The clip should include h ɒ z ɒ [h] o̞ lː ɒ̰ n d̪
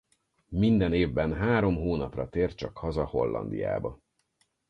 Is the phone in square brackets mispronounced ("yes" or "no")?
no